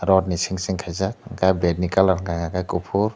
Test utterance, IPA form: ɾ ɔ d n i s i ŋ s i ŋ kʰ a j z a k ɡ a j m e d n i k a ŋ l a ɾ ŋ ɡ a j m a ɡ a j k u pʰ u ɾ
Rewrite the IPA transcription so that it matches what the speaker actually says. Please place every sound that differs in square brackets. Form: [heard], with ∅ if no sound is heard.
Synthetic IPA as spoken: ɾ ɔ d n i s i ŋ s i ŋ kʰ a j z a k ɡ a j [b] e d n i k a [∅] l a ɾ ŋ ɡ a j [ŋ] a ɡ a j k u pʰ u ɾ